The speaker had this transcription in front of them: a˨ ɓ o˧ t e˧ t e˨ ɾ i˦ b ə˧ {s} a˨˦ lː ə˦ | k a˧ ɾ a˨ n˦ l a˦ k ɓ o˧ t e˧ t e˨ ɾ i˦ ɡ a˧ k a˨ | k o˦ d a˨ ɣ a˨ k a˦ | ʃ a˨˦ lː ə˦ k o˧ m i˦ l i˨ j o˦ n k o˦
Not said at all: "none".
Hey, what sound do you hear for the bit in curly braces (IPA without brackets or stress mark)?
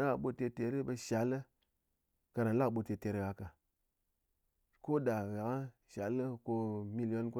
ʃ